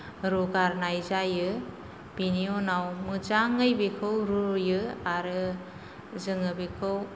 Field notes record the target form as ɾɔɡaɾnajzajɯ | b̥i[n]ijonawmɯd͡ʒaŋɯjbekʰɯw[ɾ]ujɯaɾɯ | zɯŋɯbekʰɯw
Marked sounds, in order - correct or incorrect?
correct, correct

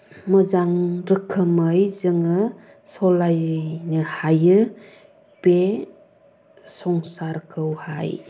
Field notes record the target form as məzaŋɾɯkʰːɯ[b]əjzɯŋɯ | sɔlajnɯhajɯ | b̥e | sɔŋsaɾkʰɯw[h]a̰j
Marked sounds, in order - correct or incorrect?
incorrect: m, correct

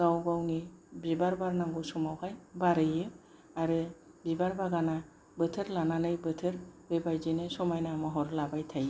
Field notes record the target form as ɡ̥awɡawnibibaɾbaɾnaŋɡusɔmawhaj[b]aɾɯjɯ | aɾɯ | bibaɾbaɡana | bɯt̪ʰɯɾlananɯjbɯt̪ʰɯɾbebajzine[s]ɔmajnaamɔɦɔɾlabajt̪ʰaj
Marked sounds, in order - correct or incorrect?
correct, correct

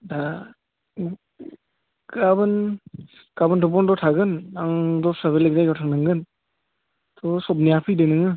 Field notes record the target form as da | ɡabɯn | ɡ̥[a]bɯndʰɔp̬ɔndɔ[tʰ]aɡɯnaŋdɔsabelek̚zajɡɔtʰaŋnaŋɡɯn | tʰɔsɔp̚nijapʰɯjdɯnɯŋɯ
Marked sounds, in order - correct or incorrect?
correct, correct

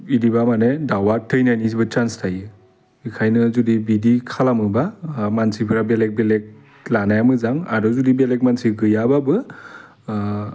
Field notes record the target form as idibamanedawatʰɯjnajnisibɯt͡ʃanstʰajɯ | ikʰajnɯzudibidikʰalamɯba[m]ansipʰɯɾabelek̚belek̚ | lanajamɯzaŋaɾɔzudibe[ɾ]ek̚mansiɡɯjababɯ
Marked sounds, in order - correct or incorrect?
correct, incorrect: l

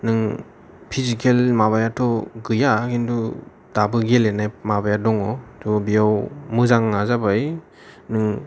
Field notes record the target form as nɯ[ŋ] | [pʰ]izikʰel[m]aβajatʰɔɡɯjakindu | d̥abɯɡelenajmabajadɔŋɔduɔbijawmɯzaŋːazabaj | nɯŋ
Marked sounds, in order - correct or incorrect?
correct, correct, correct

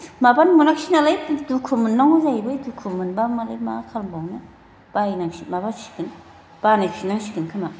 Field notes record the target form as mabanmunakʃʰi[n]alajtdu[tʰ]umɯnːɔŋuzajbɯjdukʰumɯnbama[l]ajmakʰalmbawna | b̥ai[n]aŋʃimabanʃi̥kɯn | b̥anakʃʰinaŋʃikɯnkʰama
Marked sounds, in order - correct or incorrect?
correct, incorrect: kʰ, correct, correct

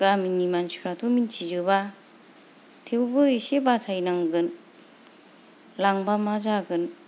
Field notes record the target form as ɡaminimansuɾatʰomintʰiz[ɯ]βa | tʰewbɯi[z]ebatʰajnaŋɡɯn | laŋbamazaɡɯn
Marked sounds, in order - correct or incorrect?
correct, incorrect: s

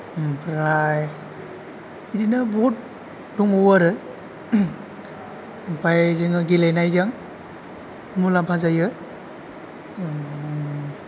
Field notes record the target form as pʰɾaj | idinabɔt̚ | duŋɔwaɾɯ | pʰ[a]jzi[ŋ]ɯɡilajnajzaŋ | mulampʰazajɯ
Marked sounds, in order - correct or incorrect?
correct, correct

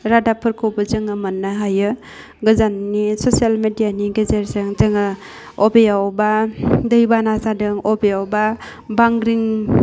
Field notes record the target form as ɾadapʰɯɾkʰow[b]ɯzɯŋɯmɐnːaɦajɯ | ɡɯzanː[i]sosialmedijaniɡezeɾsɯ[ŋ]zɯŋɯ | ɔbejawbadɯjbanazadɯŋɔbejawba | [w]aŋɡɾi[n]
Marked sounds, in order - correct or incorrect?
correct, correct, correct, incorrect: b, incorrect: ŋ

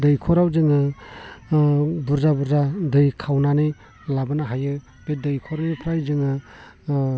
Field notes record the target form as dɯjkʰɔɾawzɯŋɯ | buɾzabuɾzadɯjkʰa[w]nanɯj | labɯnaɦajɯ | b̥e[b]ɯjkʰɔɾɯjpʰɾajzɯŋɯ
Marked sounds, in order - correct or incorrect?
correct, incorrect: d

